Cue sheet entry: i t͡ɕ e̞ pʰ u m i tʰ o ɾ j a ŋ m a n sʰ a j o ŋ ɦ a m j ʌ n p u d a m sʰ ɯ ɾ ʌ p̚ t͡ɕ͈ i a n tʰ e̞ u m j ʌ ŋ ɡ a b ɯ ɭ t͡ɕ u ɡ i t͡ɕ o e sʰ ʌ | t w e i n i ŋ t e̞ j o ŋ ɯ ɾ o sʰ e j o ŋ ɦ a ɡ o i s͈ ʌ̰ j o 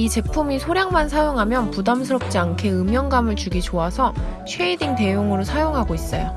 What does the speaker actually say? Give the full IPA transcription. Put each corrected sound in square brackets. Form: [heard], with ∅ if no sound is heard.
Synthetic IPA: i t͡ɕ e̞ pʰ u m i [sʰ] o ɾ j a ŋ m a n sʰ a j o ŋ ɦ a m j ʌ n p u d a m sʰ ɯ ɾ ʌ p̚ t͡ɕ͈ i a n [kʰ] e̞ [ɯ] m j ʌ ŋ ɡ a [m] ɯ ɭ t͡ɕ u ɡ i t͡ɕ o [a] sʰ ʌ | [t͡ɕʰ] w e i [d] i ŋ t e̞ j o ŋ ɯ ɾ o sʰ [a] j o ŋ ɦ a ɡ o i s͈ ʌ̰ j o